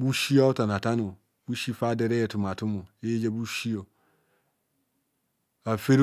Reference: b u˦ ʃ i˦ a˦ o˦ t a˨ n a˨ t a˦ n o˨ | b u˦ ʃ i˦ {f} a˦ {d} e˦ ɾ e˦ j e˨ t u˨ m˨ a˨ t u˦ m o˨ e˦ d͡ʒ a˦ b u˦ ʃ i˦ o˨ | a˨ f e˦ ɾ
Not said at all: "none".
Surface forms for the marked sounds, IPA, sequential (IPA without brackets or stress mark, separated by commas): f, d